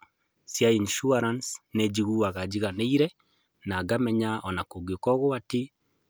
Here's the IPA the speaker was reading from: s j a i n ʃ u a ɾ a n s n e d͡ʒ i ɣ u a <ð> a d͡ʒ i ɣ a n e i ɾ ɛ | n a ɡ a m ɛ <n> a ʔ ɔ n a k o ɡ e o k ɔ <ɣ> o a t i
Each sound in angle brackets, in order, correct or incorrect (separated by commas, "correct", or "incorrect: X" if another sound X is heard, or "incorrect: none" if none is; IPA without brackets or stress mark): incorrect: ɣ, incorrect: ɲ, correct